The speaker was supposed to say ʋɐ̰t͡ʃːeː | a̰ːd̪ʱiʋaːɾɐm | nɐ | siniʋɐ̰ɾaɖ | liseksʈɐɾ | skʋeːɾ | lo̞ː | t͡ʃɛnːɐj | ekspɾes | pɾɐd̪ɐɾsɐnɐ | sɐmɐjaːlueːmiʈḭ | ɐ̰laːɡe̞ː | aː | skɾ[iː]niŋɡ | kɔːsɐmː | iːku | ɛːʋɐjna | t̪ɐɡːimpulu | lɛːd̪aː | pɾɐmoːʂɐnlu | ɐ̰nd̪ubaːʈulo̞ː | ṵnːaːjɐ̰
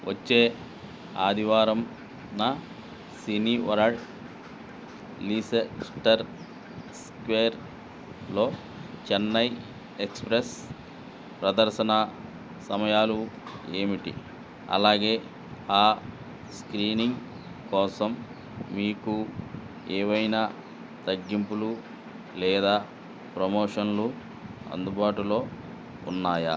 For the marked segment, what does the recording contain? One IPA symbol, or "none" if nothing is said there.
iː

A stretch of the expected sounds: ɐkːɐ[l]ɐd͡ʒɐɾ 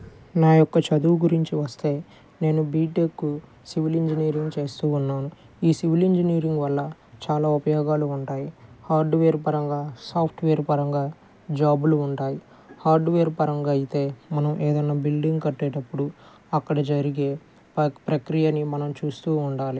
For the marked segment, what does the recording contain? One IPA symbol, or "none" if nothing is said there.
ɽ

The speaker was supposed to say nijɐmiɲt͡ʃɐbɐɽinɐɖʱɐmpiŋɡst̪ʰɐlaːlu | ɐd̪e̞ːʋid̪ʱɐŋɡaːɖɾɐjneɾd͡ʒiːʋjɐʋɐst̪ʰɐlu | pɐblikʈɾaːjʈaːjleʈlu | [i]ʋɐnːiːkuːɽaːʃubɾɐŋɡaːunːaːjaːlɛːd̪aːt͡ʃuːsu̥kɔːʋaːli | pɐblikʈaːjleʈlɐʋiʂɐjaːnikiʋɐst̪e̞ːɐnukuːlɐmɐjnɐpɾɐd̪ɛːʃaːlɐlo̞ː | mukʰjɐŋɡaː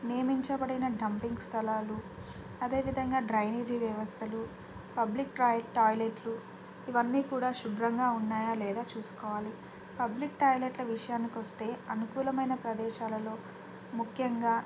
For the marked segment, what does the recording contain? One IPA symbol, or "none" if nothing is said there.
i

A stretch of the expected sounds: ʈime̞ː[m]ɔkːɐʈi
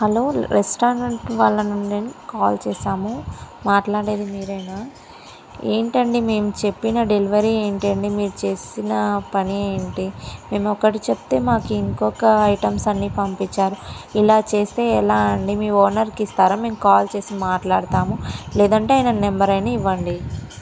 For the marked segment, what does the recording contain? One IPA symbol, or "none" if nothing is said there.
m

